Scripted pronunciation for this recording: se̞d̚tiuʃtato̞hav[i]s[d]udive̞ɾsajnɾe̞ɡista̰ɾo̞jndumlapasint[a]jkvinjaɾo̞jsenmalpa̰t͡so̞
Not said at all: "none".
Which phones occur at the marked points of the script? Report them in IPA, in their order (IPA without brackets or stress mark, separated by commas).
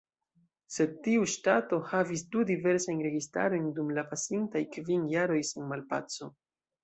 i, d, a